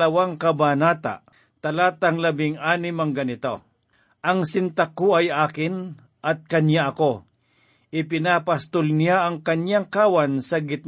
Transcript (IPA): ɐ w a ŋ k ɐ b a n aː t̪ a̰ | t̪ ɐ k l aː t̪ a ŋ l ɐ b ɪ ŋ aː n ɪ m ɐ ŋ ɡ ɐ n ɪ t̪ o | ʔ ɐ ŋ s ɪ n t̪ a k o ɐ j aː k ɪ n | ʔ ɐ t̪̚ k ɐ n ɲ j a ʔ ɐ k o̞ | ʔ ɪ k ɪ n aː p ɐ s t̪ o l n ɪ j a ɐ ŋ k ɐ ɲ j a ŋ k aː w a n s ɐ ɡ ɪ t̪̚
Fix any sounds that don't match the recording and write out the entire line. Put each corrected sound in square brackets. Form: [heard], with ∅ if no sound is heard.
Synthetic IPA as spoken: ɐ w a ŋ k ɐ b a n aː t̪ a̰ | t̪ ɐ [∅] l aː t̪ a ŋ l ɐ b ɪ ŋ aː n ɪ m ɐ ŋ ɡ ɐ n ɪ t̪ o | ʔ ɐ ŋ s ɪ n t̪ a k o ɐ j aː k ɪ n | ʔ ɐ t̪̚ k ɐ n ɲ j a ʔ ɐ k o̞ | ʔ ɪ [p] ɪ n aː p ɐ s t̪ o l n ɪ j a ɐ ŋ k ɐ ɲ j a ŋ k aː w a n s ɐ ɡ ɪ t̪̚